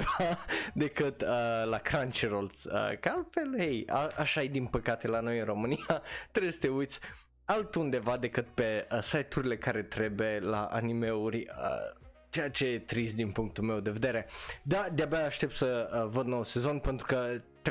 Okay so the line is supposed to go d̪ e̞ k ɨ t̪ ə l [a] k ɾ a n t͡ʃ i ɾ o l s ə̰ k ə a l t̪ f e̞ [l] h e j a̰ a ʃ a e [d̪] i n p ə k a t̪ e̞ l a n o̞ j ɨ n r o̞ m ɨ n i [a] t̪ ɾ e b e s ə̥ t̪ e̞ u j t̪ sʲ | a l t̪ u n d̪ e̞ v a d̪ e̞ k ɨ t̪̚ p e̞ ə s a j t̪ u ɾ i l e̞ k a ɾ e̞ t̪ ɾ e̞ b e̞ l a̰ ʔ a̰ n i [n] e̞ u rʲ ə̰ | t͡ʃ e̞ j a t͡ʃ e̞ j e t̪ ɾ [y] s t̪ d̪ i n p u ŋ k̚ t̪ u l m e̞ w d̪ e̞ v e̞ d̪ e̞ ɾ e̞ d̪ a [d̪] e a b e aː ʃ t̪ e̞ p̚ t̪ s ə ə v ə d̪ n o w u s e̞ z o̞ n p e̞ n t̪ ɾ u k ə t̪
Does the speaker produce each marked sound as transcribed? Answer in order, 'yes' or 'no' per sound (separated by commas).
yes, yes, yes, yes, no, no, yes